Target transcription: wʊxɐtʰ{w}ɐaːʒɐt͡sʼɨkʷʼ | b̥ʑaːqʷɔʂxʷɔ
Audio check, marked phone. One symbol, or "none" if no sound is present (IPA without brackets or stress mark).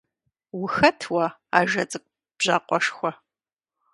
w